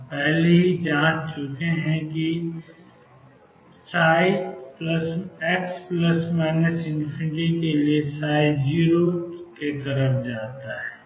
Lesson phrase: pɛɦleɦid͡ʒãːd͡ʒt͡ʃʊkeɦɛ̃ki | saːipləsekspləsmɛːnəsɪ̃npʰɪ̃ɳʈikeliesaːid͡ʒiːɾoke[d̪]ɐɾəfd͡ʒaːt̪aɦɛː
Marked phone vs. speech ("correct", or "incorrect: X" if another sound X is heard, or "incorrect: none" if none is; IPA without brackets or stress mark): incorrect: t̪